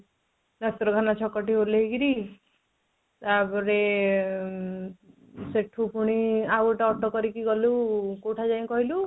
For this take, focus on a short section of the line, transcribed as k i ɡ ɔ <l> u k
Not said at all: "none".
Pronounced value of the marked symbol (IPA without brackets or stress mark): l